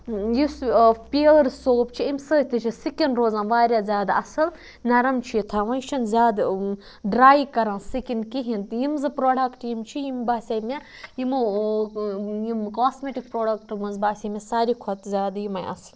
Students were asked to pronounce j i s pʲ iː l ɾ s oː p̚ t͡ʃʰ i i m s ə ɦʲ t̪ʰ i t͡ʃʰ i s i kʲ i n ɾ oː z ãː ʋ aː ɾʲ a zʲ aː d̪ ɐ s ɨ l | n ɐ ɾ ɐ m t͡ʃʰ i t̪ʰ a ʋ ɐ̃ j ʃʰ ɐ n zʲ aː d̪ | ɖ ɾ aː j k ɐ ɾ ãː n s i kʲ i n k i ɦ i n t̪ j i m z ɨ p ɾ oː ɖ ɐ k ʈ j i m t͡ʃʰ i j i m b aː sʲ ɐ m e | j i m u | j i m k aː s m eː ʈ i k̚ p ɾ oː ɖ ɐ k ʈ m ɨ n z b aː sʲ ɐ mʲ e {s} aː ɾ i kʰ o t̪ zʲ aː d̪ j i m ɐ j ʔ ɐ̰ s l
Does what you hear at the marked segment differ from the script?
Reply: no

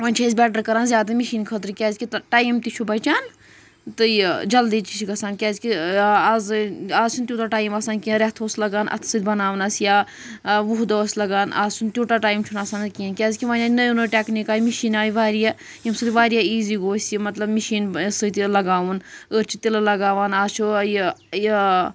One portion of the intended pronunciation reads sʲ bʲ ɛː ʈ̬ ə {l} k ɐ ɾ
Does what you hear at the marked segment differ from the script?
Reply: yes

